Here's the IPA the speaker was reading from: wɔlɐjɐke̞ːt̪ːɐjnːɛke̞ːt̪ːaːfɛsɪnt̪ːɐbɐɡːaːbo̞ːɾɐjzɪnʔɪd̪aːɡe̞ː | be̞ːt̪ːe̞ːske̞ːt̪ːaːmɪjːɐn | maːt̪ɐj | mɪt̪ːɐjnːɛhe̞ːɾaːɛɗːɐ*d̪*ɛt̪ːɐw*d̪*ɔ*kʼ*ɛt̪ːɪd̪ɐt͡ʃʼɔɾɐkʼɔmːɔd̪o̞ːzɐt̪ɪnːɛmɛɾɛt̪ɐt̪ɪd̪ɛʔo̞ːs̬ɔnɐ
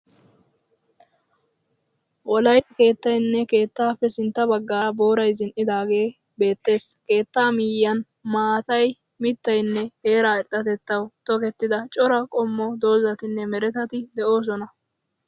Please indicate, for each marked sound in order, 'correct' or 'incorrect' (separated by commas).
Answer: incorrect, incorrect, incorrect